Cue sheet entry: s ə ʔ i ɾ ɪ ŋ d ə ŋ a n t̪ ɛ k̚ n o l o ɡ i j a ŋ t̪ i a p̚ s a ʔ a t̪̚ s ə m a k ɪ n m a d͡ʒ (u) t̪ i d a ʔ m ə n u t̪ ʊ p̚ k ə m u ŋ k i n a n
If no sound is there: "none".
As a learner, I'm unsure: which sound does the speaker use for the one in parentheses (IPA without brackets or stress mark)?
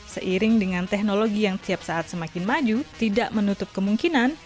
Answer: u